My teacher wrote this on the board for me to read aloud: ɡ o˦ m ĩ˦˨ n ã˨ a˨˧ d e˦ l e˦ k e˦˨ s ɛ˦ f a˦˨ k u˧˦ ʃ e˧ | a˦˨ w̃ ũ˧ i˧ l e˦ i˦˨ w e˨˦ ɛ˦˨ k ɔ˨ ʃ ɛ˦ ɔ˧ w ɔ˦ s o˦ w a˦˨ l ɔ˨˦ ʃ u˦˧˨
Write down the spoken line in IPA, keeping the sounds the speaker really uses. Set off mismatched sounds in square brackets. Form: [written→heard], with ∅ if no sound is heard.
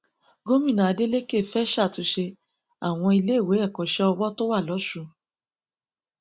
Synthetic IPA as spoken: ɡ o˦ m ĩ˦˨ n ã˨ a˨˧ d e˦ l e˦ k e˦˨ [s→f] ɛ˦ [f→ʃ] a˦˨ [k→t] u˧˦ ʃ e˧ | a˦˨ w̃ [ũ˧→ɔ̃˧] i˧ l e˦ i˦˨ w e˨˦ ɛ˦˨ k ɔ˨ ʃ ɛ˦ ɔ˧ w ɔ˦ [s→t] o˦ w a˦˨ l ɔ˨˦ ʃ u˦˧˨